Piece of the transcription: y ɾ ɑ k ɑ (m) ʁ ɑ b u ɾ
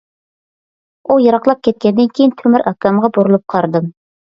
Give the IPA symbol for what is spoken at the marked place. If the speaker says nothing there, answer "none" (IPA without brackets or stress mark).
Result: m